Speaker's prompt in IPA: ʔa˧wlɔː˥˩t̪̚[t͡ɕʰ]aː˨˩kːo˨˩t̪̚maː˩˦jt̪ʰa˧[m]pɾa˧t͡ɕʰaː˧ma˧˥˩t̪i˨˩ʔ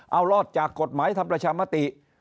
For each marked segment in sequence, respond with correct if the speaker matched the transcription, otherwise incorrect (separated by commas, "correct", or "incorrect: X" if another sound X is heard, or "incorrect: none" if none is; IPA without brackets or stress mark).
incorrect: t͡ɕ, correct